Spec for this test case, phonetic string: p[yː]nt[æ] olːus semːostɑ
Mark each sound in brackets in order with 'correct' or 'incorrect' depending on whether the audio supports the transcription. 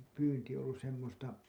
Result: correct, incorrect

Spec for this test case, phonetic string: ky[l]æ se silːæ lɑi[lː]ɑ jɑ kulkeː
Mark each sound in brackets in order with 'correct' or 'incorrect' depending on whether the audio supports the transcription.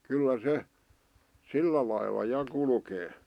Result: incorrect, correct

